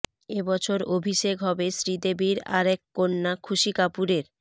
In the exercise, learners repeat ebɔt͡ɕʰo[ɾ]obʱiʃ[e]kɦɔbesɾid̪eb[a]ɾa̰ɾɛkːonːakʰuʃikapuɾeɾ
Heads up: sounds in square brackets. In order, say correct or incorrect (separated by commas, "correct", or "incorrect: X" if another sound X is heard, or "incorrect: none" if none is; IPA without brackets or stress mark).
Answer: correct, correct, incorrect: i